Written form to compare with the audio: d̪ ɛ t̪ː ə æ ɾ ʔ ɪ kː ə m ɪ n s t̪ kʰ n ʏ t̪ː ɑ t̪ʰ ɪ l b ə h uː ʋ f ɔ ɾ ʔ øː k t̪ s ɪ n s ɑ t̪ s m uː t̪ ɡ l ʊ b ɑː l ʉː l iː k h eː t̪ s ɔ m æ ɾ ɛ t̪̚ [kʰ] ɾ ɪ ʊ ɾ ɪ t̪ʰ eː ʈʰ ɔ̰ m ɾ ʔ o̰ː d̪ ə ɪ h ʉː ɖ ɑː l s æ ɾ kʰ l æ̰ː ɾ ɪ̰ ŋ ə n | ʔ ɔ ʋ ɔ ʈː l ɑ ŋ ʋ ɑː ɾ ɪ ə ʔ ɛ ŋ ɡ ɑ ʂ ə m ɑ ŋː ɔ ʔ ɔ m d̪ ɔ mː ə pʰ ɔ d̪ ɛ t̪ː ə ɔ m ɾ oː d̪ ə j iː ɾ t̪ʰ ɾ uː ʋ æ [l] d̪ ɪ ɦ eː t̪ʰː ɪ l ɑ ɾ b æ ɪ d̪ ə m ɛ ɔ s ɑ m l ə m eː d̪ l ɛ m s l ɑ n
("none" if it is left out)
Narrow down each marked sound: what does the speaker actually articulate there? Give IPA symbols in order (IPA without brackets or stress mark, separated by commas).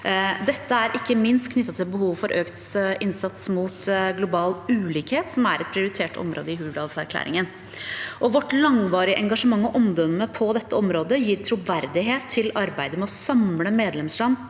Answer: pʰ, ɾ